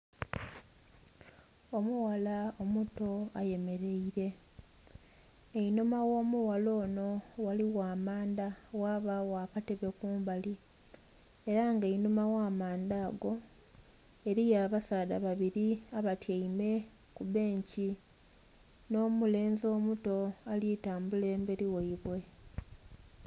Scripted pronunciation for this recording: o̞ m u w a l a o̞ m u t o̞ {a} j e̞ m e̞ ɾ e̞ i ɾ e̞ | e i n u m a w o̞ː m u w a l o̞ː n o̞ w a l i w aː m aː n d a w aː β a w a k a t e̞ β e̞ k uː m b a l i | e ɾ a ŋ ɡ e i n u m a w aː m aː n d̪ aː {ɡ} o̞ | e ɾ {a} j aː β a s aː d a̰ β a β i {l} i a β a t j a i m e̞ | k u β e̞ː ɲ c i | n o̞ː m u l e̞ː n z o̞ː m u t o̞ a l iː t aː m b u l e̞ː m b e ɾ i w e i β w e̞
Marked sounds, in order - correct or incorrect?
correct, correct, incorrect, incorrect

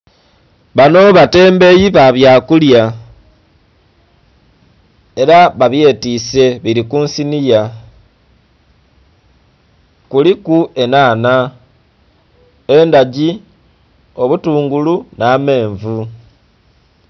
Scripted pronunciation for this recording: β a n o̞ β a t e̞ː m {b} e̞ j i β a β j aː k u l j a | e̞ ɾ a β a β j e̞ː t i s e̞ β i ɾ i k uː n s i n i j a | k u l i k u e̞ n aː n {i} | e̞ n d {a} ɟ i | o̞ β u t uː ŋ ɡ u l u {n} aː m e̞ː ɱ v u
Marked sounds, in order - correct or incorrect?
correct, incorrect, correct, correct

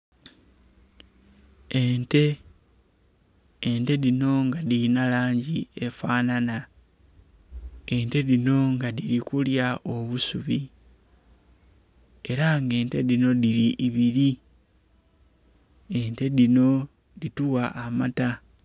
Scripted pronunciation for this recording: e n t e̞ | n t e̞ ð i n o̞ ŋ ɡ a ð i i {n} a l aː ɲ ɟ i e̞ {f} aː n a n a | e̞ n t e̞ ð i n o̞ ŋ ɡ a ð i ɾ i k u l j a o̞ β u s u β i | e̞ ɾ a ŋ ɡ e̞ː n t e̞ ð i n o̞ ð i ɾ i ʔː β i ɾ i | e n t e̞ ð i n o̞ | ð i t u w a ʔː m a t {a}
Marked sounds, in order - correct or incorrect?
correct, correct, correct

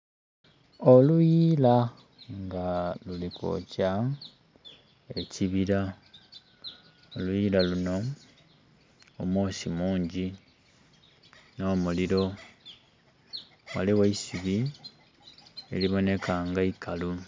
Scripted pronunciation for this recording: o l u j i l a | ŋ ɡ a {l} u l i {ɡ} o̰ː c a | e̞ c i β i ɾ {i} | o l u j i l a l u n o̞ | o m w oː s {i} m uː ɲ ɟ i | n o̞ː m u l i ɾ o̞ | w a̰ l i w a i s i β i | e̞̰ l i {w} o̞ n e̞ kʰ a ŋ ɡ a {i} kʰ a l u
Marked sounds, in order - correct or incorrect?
correct, incorrect, incorrect, correct, incorrect, correct

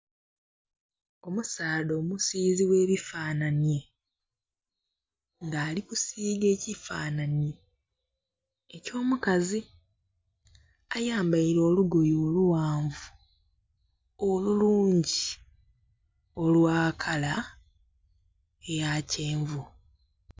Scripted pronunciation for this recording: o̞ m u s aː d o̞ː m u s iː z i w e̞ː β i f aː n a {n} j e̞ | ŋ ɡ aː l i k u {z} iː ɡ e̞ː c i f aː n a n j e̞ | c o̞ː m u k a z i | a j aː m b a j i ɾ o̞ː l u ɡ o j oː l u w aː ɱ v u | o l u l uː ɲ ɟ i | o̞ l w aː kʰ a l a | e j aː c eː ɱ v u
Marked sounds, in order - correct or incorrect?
correct, incorrect

